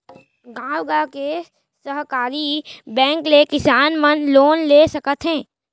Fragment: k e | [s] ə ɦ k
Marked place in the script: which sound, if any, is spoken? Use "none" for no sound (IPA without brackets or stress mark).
s